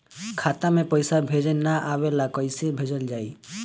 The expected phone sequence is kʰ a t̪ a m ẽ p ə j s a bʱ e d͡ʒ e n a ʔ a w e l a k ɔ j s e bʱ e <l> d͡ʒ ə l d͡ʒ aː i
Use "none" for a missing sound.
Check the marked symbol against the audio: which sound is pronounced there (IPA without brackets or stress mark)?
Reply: none